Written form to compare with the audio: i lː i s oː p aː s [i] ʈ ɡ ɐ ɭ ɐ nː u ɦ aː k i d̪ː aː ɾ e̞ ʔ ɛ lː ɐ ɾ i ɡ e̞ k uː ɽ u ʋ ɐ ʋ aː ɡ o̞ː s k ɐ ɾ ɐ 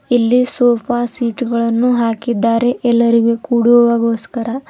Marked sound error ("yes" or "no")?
yes